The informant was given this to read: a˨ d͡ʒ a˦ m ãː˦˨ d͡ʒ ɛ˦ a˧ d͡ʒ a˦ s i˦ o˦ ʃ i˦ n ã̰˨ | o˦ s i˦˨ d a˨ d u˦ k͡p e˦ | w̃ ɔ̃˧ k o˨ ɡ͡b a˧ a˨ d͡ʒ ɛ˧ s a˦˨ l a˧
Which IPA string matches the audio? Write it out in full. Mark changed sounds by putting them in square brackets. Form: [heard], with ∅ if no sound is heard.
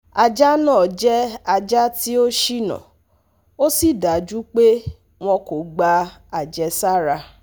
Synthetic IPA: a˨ d͡ʒ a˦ [n] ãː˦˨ d͡ʒ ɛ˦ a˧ d͡ʒ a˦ [t] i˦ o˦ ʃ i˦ n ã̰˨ | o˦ s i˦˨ d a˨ [d͡ʒ] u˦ k͡p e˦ | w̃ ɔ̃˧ k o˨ ɡ͡b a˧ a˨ d͡ʒ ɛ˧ s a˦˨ [ɾ] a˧